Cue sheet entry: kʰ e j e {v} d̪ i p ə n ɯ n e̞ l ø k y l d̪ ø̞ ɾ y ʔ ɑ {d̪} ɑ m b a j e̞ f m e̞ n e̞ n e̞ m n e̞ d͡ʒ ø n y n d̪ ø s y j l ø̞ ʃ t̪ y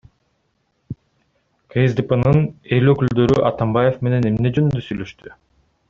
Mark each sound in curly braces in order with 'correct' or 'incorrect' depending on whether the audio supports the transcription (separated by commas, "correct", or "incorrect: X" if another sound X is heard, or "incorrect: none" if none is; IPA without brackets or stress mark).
incorrect: z, incorrect: t̪